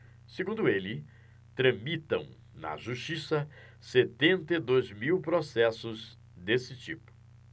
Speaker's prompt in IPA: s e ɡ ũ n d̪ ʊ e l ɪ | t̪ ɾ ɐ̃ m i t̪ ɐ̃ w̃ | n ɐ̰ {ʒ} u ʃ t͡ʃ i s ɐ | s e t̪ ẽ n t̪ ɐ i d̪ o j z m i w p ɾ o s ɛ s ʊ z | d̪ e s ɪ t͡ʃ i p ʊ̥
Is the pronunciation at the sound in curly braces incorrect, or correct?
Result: correct